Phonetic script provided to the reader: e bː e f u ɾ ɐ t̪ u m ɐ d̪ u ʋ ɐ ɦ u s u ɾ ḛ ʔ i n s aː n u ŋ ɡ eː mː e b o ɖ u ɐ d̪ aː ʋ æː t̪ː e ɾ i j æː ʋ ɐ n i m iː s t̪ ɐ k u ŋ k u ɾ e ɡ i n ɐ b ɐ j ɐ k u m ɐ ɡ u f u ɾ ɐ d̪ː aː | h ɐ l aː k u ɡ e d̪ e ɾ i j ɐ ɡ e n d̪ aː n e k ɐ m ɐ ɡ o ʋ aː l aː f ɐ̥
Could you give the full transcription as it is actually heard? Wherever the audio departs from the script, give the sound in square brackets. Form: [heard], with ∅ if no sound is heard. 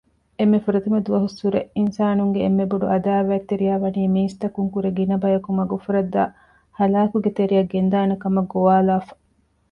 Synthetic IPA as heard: e [mː] e f u ɾ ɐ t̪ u m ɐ d̪ u ʋ ɐ ɦ u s u ɾ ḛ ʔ i n s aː n u ŋ ɡ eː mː e b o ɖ u ɐ d̪ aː ʋ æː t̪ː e ɾ i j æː ʋ ɐ n [iː] m iː s t̪ ɐ k u ŋ k u ɾ e ɡ i n ɐ b ɐ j ɐ k u m ɐ ɡ u f u ɾ ɐ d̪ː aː | h ɐ l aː k u ɡ e [t̪] e ɾ i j ɐ ɡ e n d̪ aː n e k ɐ m ɐ ɡ o ʋ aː l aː f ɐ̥